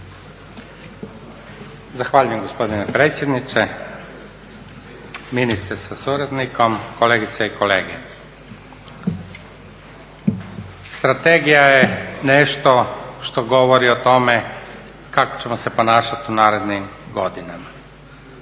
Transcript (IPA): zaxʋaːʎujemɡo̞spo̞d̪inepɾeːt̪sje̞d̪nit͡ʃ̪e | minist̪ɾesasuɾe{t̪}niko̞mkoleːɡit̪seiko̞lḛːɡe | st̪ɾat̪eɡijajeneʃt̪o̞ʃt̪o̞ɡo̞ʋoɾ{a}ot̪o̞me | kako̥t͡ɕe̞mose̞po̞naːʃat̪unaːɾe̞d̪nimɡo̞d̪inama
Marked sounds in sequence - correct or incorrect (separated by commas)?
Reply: incorrect, incorrect